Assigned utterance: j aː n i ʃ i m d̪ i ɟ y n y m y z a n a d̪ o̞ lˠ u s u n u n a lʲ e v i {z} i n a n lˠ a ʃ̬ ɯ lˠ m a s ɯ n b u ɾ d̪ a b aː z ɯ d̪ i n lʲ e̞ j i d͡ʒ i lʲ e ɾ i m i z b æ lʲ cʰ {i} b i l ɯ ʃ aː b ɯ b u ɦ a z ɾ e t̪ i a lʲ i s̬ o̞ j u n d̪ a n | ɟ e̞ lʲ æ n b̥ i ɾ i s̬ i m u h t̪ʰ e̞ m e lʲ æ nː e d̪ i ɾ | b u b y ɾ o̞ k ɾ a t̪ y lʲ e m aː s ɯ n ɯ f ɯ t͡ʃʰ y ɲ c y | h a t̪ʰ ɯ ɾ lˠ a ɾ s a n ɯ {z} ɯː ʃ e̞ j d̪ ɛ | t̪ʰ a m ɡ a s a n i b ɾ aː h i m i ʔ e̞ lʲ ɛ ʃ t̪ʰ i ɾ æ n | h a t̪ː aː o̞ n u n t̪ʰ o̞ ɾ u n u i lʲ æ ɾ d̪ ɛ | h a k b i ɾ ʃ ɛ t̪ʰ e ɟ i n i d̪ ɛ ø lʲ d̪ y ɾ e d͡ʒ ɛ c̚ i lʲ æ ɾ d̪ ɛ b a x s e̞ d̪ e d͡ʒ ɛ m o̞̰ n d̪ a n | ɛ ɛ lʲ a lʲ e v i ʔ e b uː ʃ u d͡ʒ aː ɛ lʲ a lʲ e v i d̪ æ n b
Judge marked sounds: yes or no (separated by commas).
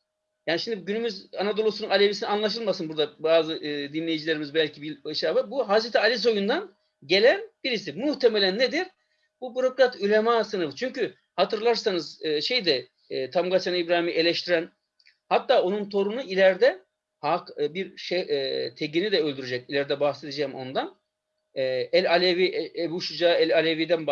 no, yes, yes